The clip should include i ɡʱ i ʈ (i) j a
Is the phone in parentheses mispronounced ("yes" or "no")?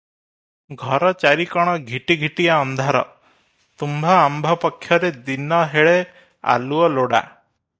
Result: no